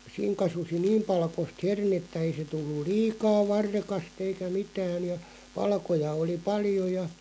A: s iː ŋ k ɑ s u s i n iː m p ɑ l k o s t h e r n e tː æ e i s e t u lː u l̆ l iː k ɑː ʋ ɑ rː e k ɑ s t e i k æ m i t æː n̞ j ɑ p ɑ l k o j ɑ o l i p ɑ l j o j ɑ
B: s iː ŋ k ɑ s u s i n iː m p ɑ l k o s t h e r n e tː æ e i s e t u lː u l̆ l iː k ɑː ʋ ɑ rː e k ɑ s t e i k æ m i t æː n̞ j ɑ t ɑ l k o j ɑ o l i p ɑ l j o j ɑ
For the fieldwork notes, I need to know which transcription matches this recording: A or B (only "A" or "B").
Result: A